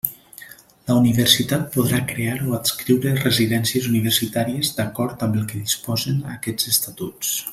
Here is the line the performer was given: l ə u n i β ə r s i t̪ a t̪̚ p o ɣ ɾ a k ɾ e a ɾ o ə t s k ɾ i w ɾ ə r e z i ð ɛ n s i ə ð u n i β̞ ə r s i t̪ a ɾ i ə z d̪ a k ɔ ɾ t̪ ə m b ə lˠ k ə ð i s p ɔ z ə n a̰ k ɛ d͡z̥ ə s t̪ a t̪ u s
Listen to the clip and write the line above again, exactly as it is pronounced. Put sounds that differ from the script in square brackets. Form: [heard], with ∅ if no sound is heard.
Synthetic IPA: l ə u n i β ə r s i t̪ a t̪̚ p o [ð] ɾ a k ɾ e a ɾ o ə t s k ɾ i w ɾ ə r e z i ð ɛ n s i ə [z] u n i β̞ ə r s i t̪ a ɾ i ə z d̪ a k ɔ ɾ t̪ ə m b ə lˠ k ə ð i s p ɔ z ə n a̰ k ɛ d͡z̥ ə s t̪ a t̪ u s